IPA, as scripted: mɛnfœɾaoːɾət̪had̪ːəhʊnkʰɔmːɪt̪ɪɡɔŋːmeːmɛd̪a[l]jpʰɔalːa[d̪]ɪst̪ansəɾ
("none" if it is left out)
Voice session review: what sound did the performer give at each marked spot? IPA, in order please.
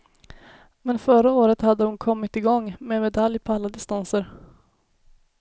l, d̪

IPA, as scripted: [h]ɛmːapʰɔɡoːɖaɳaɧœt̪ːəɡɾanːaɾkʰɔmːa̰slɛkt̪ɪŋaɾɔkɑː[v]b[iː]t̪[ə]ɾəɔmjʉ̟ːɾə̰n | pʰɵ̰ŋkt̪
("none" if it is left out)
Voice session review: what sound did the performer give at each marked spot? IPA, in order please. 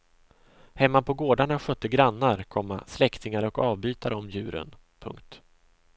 h, v, yː, a

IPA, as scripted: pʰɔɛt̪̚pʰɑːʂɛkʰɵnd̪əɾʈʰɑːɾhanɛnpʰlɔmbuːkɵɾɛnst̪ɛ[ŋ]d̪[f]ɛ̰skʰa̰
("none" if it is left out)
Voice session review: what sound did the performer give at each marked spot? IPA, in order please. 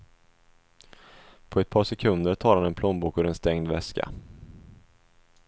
ŋ, v

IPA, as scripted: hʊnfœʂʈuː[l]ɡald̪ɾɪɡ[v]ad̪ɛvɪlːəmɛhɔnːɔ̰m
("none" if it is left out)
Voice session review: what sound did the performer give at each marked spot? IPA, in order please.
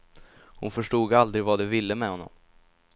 none, v

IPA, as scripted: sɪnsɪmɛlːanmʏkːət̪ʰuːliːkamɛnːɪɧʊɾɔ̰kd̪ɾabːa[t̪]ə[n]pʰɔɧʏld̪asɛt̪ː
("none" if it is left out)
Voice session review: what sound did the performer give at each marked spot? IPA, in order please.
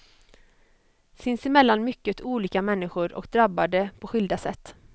d̪, none

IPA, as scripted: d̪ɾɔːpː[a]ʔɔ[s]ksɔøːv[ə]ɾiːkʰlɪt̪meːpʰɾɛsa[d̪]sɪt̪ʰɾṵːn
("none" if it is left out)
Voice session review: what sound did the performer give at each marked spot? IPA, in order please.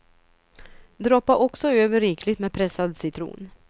a, none, ə, d̪

